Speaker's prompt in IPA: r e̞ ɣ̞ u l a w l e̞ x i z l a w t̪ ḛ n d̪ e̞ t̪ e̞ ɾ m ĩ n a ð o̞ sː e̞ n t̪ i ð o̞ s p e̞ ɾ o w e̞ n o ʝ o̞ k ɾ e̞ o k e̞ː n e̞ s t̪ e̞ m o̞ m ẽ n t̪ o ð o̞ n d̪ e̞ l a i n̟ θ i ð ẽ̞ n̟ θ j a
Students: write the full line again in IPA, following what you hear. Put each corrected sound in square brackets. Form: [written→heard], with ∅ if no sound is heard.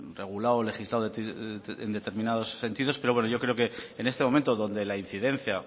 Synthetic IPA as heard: r e̞ ɣ̞ u l a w l e̞ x i z l a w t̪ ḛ n d̪ e̞ t̪ e̞ ɾ m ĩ n a ð o̞ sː e̞ n t̪ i ð o̞ s p e̞ ɾ o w e̞ n o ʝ o̞ k ɾ e̞ o k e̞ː n e̞ s t̪ e̞ m o̞ m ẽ n t̪ o ð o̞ n d̪ e̞ l a i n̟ θ i ð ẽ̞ n̟ θ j a